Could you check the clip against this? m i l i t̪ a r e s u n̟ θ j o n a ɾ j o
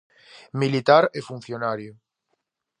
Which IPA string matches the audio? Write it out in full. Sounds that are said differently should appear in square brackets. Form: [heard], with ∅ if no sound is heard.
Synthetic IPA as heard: m i l i t̪ a [ɾ] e [f] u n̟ θ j o n a ɾ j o